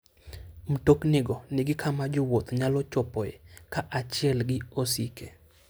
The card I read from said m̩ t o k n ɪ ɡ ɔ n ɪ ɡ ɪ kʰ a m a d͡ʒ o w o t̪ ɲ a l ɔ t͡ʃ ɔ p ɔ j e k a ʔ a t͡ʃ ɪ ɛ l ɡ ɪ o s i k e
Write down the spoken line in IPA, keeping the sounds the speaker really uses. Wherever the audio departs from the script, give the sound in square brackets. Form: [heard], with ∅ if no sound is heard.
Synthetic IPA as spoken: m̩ t o k n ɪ ɡ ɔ n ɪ ɡ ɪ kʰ a m a d͡ʒ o w o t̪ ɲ a l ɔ t͡ʃ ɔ p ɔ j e k a ʔ a t͡ʃ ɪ ɛ l ɡ ɪ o s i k e